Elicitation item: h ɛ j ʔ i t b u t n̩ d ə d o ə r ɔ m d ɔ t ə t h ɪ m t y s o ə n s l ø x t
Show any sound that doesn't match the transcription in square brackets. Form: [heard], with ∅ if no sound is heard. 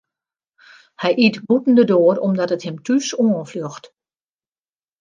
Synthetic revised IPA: h ɛ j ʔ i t b u t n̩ d ə d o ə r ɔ m d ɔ t ə t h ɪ m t y s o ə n [f] l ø x t